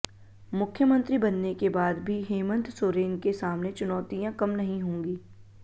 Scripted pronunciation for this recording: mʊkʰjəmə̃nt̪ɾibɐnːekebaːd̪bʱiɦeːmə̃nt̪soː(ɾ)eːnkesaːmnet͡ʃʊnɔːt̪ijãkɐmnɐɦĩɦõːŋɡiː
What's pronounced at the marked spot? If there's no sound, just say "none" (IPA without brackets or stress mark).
ɾ